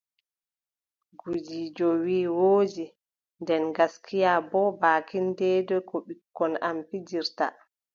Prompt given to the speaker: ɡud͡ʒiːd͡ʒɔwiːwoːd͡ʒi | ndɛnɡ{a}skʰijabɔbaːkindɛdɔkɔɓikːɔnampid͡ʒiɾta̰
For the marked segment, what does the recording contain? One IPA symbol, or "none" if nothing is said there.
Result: a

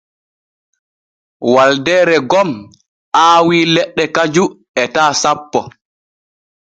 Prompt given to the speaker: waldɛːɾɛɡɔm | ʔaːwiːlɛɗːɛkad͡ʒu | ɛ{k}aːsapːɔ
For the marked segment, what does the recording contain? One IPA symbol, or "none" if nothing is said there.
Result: t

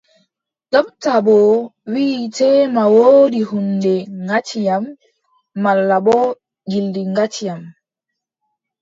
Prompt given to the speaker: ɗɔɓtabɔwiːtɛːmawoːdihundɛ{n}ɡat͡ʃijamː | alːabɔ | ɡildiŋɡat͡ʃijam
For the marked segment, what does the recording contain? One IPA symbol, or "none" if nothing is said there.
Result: ŋ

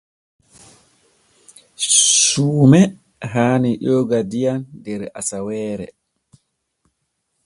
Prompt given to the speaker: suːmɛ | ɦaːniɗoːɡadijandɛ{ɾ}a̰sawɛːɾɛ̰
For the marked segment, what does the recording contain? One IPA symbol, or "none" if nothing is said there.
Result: ɾ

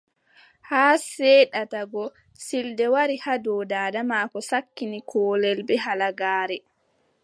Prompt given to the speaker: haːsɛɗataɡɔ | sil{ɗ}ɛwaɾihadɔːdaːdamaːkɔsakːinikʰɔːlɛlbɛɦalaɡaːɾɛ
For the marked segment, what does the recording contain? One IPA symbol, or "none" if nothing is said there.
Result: d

